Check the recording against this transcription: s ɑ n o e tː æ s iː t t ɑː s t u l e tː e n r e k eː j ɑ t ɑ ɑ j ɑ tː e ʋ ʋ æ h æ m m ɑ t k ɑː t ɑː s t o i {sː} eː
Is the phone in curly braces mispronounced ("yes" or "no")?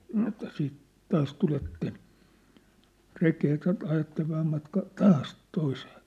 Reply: yes